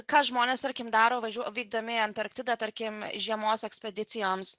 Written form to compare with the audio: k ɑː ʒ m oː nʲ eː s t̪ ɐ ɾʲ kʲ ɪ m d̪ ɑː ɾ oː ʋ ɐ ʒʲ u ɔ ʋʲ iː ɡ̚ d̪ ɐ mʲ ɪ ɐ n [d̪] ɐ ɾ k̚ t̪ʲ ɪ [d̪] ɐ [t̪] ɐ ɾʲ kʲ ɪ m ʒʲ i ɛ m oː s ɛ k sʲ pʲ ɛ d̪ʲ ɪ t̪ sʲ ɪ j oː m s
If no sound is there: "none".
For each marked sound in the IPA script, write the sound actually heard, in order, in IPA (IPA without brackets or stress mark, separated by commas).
t̪, d̪, t̪